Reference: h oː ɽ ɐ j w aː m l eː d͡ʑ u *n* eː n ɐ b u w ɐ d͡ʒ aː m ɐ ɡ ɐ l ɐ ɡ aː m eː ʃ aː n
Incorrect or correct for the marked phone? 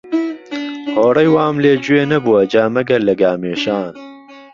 incorrect: none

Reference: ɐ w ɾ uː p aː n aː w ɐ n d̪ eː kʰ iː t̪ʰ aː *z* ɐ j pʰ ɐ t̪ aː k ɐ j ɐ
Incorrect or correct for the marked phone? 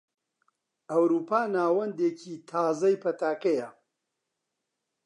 correct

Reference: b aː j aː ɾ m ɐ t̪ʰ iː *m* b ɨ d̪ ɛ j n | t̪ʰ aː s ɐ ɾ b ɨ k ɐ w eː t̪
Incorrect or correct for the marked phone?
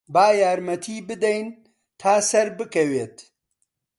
incorrect: none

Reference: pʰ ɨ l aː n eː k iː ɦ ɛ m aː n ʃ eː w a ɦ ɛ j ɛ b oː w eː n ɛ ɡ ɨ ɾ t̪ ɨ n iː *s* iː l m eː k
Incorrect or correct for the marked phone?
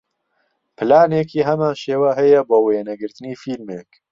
incorrect: f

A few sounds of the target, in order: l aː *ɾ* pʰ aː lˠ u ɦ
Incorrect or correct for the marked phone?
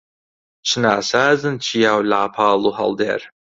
incorrect: none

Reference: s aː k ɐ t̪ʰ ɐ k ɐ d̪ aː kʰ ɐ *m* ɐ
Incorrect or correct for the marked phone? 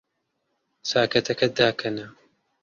incorrect: n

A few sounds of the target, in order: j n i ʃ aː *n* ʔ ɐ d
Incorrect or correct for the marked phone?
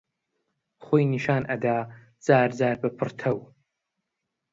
correct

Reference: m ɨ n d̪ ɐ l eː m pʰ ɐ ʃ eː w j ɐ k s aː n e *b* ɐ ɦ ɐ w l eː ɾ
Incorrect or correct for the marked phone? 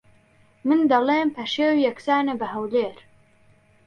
correct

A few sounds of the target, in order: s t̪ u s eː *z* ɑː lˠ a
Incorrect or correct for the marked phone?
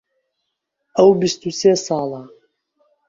incorrect: s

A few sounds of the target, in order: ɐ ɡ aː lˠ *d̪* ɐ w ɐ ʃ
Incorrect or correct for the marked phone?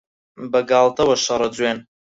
incorrect: t̪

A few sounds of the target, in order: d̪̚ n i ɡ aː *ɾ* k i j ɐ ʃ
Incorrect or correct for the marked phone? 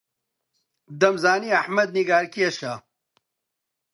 correct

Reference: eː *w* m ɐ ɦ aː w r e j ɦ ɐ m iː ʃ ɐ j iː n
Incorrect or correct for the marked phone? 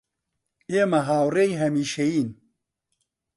incorrect: none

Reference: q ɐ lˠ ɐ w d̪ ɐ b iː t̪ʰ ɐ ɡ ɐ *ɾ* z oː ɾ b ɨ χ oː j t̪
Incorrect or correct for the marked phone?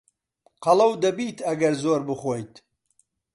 correct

